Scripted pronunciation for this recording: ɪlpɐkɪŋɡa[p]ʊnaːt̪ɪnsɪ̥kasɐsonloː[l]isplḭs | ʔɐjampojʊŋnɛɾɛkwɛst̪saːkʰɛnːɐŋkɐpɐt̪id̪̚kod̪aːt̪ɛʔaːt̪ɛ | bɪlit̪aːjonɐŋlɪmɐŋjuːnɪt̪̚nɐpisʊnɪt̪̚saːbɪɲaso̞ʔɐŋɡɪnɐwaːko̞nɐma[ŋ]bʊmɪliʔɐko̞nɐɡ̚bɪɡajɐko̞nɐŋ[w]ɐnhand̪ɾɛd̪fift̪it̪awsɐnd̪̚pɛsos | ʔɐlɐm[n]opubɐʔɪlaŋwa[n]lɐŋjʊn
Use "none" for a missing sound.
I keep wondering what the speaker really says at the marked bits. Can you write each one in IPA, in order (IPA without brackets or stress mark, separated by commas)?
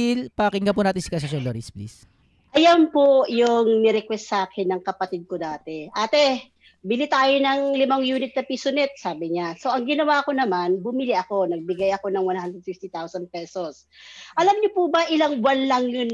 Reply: p, ɾ, n, w, ɲ, n